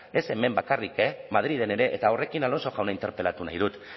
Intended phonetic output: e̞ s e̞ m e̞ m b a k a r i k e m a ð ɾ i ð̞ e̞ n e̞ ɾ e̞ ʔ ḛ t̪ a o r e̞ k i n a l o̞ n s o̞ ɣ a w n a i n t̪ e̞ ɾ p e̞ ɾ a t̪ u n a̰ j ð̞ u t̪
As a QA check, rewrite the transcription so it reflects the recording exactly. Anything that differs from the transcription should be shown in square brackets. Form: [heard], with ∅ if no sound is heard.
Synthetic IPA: e̞ s e̞ m e̞ m b a k a r i k e m a ð ɾ i ð̞ e̞ n e̞ ɾ e̞ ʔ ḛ t̪ a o r e̞ k i n a l o̞ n s o̞ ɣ a w n a i n t̪ e̞ ɾ p e̞ [l] a t̪ u n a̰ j ð̞ u t̪